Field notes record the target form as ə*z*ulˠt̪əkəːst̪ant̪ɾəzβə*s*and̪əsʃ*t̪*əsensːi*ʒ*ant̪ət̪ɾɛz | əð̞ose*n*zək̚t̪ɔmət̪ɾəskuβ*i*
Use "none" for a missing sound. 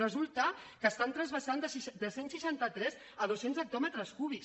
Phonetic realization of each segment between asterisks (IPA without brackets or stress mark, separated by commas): z, s, d̪, ʃ, n, i